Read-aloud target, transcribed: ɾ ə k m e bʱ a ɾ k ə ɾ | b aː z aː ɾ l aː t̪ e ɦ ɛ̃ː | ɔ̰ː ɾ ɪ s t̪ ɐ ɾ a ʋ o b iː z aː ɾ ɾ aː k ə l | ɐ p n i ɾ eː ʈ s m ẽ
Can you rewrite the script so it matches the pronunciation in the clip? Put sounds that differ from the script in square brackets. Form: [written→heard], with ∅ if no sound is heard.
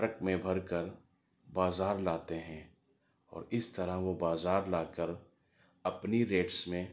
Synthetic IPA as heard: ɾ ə k m [e→ẽ] bʱ [a→ɐ] ɾ k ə ɾ | b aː z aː ɾ l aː t̪ e ɦ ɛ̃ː | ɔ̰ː ɾ ɪ s t̪ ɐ ɾ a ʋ o b [iː→aː] z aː ɾ [ɾ→l] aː k ə [l→ɾ] | ɐ p n i ɾ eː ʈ s m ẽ

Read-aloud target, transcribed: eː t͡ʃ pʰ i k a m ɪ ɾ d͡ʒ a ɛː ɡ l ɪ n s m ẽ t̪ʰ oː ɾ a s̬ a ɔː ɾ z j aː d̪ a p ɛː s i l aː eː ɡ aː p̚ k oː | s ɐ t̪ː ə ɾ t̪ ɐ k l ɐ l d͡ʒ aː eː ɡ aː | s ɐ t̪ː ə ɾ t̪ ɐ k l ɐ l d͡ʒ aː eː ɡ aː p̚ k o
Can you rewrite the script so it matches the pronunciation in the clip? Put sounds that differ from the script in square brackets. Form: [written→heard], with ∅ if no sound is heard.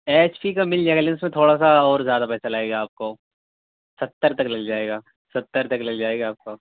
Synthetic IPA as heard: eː t͡ʃ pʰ i k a m ɪ [ɾ→l] d͡ʒ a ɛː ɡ l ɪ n s m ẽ t̪ʰ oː [ɾ→ɽ] a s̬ a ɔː ɾ z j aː d̪ a p ɛː s [i→a] l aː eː ɡ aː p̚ k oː | s ɐ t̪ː ə ɾ t̪ ɐ k l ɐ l d͡ʒ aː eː ɡ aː | s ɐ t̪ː ə ɾ t̪ ɐ k l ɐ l d͡ʒ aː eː ɡ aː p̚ k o

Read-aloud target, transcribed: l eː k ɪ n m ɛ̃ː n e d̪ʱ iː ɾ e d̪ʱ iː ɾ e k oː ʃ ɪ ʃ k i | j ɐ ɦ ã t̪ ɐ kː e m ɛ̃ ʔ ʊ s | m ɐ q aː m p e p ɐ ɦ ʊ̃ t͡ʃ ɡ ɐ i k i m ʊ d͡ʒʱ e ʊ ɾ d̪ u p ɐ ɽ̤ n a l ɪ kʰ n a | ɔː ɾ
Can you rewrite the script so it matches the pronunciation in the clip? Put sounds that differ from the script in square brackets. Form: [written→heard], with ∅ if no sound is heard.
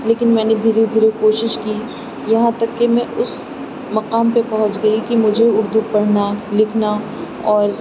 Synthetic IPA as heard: l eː k ɪ n m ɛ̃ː n e d̪ʱ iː ɾ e d̪ʱ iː ɾ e k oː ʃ ɪ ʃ k i | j ɐ ɦ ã t̪ ɐ kː e m ɛ̃ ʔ ʊ s | m ɐ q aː m p e p ɐ ɦ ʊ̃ t͡ʃ ɡ ɐ i k i m ʊ d͡ʒʱ e ʊ ɾ d̪ u p ɐ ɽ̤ n a l ɪ kʰ n a | ɔː ɾ

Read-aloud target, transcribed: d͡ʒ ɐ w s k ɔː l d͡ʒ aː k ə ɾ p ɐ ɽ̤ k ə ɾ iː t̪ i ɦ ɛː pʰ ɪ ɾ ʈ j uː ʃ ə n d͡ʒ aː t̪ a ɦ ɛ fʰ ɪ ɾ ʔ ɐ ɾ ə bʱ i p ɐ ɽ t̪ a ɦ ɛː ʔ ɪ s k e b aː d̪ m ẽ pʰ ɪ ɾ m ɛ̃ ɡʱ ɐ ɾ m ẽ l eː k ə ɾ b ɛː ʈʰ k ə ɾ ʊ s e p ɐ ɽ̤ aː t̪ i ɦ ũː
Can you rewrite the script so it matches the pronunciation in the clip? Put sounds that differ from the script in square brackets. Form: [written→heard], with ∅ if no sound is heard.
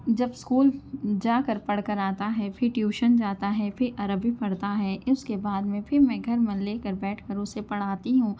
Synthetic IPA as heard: d͡ʒ ɐ [w→b] s k [ɔː→uː] l d͡ʒ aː k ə ɾ p ɐ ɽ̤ k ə ɾ [iː→aː] t̪ [i→a] ɦ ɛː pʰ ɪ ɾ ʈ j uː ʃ ə n d͡ʒ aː t̪ a ɦ ɛ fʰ ɪ ɾ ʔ ɐ ɾ ə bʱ i p ɐ ɽ t̪ a ɦ ɛː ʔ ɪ s k e b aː d̪ m ẽ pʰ ɪ ɾ m ɛ̃ ɡʱ ɐ ɾ m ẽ l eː k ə ɾ b ɛː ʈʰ k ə ɾ ʊ s e p ɐ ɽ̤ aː t̪ i ɦ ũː

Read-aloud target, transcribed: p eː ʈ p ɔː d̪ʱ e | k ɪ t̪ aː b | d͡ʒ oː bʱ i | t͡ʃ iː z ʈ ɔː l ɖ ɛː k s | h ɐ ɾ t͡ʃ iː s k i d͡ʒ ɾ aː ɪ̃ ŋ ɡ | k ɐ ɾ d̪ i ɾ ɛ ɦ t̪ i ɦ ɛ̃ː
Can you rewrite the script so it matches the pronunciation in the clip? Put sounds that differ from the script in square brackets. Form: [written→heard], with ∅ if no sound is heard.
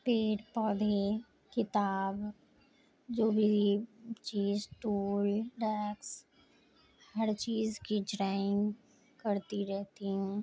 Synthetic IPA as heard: p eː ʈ p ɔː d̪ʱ e | k ɪ t̪ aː b | d͡ʒ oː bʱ i | t͡ʃ iː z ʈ [ɔː→uː] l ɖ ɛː k s | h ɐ ɾ t͡ʃ iː [s→z] k i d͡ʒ ɾ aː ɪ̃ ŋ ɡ | k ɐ ɾ [d̪→t̪] i ɾ ɛ ɦ t̪ i ɦ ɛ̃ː

